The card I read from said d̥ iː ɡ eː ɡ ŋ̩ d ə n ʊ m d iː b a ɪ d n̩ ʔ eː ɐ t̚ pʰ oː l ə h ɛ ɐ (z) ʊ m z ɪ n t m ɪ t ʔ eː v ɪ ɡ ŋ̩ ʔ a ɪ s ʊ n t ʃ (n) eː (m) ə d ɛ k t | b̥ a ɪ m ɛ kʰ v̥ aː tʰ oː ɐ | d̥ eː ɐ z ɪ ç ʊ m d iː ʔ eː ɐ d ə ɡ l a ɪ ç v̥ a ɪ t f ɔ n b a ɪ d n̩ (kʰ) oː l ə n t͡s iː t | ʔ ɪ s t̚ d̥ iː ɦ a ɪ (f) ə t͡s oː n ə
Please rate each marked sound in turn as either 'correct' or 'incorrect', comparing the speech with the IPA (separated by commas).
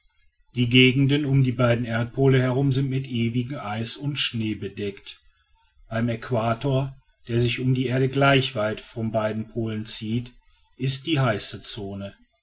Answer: incorrect, correct, incorrect, incorrect, incorrect